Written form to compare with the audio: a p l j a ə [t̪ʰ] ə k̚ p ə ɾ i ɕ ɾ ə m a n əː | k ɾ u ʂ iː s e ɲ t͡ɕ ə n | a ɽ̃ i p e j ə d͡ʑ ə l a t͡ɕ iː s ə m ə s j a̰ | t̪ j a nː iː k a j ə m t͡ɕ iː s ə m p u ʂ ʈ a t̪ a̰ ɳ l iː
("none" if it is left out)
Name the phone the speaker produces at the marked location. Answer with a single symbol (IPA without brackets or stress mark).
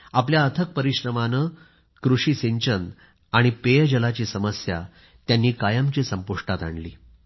t̪ʰ